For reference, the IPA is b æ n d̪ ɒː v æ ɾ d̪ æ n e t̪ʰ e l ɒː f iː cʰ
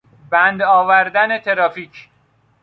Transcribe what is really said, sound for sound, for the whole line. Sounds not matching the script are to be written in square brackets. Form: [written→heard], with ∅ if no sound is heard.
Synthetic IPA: b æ n d̪ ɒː v æ ɾ d̪ æ n e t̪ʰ e [l→ɾ] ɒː f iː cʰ

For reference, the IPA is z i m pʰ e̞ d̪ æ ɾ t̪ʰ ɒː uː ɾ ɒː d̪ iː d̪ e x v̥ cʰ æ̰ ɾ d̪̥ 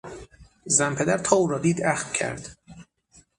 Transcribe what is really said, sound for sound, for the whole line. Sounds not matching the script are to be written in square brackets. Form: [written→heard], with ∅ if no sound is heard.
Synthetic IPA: z [i→æ] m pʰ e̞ d̪ æ ɾ t̪ʰ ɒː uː ɾ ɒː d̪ iː d̪ [e→æ] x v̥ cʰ æ̰ ɾ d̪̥

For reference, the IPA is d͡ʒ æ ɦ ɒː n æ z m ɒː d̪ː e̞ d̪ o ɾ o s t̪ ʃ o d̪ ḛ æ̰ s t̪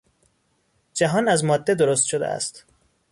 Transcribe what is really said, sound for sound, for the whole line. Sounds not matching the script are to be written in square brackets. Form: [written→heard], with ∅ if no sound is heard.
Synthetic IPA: d͡ʒ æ ɦ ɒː n æ z m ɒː d̪ː e̞ d̪ o ɾ o s t̪ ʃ o d̪ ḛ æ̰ s t̪

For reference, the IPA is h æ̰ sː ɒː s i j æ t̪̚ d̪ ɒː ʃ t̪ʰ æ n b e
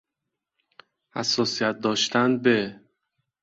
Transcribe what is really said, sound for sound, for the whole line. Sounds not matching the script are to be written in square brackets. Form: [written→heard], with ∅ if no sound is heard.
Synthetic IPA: h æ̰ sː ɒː s i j æ t̪̚ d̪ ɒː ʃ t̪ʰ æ n b e

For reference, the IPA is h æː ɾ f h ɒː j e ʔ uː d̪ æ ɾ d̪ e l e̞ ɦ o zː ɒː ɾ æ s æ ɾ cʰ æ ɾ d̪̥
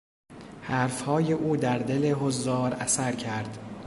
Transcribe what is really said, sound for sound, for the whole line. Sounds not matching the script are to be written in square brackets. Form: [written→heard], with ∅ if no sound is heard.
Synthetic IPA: h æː ɾ f h ɒː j e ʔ uː d̪ æ ɾ d̪ e l e̞ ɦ o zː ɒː ɾ æ s æ ɾ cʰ æ ɾ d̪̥

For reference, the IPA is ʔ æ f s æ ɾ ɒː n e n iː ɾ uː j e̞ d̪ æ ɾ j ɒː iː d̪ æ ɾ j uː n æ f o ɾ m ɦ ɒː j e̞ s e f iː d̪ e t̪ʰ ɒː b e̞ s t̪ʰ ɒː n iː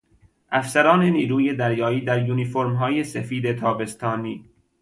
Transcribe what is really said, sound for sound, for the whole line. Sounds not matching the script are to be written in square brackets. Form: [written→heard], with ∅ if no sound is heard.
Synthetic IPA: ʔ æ f s æ ɾ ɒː n e n iː ɾ uː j e̞ d̪ æ ɾ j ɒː iː d̪ æ ɾ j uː n [æ→i] f o ɾ m ɦ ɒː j e̞ s e f iː d̪ e t̪ʰ ɒː b e̞ s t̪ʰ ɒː n iː

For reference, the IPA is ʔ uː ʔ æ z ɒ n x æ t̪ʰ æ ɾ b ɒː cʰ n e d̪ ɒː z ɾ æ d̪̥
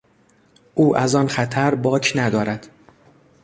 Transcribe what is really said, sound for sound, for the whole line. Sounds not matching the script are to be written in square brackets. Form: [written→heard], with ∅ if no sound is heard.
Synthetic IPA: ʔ uː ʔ æ z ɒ n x æ t̪ʰ æ ɾ b ɒː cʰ n [e→æ] d̪ ɒː [z→∅] ɾ æ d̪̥

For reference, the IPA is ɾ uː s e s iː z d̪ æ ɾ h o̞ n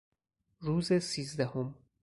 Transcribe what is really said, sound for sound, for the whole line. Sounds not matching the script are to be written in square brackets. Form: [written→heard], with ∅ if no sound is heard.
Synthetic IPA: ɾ uː [s→z] e s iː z d̪ æ [ɾ→∅] h o̞ [n→m]

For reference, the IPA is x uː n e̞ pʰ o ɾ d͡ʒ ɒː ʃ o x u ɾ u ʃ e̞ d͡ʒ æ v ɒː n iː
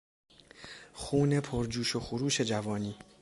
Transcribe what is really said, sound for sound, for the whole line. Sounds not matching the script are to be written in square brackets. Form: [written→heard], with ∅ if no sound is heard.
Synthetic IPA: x uː n e̞ pʰ o ɾ d͡ʒ [ɒː→uː] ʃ o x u ɾ [u→uː] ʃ e̞ d͡ʒ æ v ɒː n iː

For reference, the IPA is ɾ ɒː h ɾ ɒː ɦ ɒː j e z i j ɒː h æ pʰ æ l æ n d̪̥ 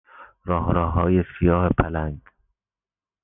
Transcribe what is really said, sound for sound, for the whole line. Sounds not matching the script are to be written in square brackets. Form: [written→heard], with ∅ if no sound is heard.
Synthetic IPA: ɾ ɒː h ɾ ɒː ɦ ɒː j e [z→s] i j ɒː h [æ→e] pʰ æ l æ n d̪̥

